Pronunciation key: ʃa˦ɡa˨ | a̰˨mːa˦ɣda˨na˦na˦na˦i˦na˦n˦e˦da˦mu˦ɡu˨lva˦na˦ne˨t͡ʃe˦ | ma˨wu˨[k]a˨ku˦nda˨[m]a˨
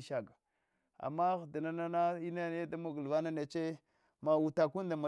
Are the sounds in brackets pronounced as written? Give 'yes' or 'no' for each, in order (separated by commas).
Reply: no, yes